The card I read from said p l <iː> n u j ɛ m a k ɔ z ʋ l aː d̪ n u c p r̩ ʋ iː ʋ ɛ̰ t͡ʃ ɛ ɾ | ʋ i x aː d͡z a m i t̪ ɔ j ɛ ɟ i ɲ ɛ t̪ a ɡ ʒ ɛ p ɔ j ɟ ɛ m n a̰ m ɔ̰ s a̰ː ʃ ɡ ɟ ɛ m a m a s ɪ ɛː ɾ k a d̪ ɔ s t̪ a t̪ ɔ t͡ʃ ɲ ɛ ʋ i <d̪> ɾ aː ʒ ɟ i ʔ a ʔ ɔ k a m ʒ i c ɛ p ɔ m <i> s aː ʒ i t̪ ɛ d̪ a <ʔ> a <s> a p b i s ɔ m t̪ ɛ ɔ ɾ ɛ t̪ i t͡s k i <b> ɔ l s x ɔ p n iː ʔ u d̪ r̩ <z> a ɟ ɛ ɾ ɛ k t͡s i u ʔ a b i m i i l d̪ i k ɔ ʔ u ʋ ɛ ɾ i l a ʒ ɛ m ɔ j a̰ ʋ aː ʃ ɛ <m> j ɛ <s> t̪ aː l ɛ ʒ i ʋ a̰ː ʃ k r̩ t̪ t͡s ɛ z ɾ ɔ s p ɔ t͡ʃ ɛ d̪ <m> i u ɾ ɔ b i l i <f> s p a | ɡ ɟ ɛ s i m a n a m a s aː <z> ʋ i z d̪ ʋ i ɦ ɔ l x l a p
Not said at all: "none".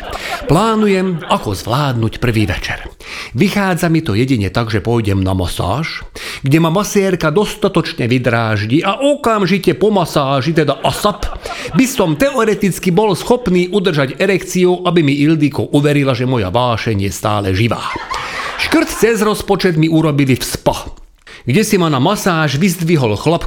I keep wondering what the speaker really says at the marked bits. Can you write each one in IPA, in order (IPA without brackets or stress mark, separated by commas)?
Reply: aː, d̪, a, ʔ, s, b, ʒ, ɲ, s, m, f, ʒ